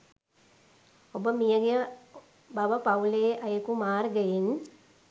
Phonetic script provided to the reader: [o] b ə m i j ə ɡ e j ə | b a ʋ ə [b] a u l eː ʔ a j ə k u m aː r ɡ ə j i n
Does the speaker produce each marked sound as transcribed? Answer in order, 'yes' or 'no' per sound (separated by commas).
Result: yes, no